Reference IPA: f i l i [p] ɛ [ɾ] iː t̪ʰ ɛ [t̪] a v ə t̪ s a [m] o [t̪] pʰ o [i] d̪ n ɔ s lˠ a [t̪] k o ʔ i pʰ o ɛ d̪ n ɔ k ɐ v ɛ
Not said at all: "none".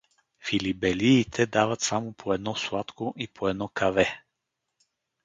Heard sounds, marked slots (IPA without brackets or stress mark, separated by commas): b, l, d̪, m, none, ɛ, t̪